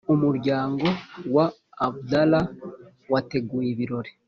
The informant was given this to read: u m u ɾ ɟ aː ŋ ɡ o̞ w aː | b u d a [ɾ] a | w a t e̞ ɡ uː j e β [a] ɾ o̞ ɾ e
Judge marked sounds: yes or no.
no, no

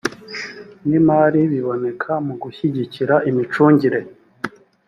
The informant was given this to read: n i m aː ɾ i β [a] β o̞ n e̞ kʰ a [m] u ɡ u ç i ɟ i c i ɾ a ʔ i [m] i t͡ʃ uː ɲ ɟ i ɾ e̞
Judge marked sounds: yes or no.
no, yes, yes

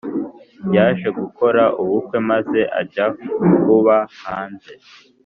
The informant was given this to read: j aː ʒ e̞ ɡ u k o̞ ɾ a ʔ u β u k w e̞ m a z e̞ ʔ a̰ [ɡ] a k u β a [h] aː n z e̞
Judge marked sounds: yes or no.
no, yes

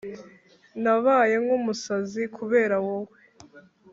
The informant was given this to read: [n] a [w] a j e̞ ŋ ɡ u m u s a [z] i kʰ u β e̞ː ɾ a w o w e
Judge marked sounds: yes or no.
yes, no, yes

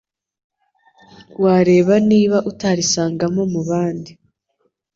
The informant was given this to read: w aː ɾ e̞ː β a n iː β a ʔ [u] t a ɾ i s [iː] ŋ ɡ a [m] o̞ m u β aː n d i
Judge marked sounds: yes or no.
yes, no, yes

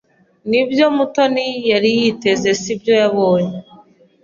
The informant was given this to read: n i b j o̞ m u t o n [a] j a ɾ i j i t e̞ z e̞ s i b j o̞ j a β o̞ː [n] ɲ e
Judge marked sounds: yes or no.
no, no

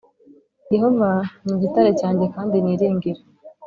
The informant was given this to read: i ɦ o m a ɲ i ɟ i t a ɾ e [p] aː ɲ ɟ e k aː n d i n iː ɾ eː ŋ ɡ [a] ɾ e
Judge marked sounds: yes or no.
no, no

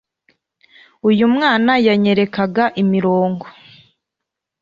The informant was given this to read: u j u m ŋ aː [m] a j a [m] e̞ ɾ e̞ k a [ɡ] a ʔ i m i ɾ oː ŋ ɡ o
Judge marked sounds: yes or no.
no, no, yes

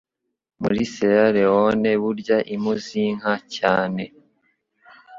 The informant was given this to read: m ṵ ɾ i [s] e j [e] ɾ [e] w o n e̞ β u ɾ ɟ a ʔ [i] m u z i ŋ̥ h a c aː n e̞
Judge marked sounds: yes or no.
yes, no, yes, yes

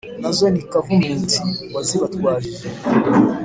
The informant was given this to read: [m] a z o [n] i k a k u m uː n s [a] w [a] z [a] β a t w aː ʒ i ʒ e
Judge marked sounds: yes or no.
no, yes, no, yes, no

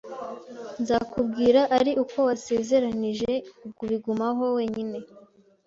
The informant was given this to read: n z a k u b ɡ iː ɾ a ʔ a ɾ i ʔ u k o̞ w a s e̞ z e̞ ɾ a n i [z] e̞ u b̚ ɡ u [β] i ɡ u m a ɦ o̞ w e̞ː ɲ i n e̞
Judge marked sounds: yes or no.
no, yes

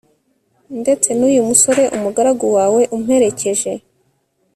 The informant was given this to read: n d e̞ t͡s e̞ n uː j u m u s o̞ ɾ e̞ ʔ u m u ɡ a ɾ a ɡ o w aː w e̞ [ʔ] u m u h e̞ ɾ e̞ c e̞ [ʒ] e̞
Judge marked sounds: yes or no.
yes, yes

